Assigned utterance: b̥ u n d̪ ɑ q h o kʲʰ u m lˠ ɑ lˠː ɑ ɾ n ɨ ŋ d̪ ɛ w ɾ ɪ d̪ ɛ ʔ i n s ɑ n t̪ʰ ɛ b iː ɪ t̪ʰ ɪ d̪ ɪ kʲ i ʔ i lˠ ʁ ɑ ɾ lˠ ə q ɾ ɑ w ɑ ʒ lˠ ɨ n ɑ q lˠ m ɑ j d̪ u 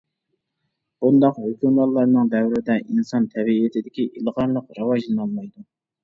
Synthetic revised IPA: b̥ u n d̪ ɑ q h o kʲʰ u m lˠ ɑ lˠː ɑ ɾ n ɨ ŋ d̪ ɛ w ɾ ɪ d̪ ɛ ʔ i n s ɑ n t̪ʰ ɛ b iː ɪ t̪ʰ ɪ d̪ ɪ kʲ i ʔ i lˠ ʁ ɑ ɾ lˠ ə q ɾ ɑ w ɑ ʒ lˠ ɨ n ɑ lˠ m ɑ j d̪ u